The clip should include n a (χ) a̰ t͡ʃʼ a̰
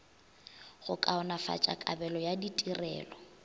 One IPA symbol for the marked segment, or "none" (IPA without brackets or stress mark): f